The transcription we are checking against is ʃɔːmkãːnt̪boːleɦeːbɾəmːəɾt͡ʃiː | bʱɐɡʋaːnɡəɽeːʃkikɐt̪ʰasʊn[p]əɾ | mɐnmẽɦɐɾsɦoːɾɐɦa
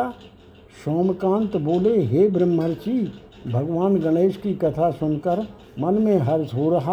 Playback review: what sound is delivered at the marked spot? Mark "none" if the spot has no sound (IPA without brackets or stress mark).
k